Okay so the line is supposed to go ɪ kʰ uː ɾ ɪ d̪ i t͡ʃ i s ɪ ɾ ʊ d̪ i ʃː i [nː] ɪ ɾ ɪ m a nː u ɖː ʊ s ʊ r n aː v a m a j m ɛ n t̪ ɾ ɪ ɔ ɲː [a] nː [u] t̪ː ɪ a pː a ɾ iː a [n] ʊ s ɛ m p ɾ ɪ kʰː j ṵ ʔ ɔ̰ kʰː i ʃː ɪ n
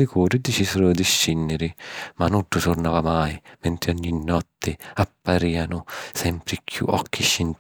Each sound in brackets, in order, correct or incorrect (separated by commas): correct, incorrect, incorrect, correct